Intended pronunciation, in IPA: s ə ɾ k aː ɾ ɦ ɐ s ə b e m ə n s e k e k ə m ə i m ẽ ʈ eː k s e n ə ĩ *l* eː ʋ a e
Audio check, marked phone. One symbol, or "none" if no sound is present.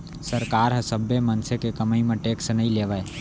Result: l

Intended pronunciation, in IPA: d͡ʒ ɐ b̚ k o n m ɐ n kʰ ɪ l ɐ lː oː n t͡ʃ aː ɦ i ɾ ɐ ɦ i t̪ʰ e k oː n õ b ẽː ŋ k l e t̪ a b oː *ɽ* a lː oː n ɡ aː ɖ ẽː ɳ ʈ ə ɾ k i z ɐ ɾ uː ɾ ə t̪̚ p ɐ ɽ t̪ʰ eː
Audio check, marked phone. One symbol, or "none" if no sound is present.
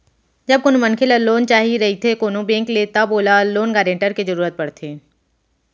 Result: l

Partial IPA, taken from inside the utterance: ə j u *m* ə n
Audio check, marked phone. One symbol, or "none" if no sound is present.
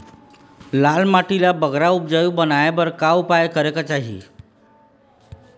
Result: b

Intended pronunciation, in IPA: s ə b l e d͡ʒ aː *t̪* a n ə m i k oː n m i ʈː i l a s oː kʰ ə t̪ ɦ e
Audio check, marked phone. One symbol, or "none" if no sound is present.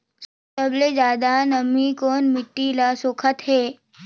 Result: d̪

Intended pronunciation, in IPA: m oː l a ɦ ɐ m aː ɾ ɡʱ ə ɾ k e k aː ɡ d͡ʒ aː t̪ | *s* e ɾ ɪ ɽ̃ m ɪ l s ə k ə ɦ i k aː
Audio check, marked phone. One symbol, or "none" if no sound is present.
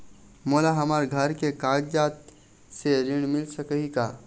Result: s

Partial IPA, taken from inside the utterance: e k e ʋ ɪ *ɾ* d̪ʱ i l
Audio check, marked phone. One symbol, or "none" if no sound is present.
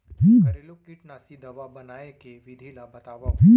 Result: none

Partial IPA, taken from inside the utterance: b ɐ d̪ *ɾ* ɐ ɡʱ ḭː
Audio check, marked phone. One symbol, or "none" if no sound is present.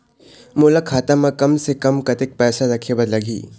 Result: l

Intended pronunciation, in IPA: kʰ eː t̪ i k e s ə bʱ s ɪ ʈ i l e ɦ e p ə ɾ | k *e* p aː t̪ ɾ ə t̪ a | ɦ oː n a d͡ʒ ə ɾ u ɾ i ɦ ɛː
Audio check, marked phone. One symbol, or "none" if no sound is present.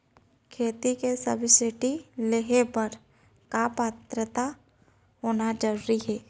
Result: a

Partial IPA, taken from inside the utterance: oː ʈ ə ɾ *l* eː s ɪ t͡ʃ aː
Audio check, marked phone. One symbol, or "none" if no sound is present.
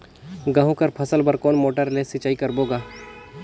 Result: l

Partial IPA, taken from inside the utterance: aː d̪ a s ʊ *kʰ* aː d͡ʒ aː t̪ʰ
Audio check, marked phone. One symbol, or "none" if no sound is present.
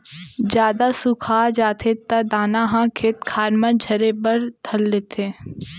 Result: kʰ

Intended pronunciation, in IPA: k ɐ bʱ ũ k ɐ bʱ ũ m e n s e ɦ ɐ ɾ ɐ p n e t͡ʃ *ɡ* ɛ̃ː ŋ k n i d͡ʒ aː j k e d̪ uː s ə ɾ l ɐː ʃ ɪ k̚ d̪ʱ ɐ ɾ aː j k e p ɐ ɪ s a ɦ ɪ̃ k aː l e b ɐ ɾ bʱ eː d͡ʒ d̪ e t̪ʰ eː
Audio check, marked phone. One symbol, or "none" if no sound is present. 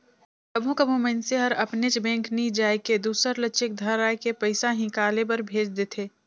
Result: b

